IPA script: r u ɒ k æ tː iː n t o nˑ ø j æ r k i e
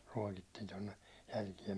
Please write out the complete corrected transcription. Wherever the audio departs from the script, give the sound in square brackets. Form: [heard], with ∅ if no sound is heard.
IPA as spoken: r u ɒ k [i] tː iː n t o nˑ [e] j æ [l] k i e